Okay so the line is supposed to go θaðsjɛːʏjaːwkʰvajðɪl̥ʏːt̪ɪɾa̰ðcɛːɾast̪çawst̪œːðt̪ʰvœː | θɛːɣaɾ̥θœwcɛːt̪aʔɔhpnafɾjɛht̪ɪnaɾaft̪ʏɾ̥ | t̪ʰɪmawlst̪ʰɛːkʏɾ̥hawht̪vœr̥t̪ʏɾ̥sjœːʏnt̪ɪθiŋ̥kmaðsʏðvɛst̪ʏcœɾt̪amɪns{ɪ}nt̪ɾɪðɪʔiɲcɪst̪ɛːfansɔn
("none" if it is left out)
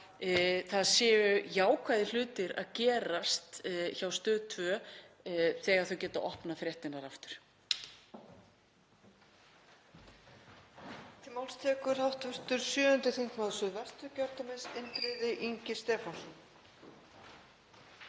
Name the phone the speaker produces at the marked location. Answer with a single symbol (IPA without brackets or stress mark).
ɪ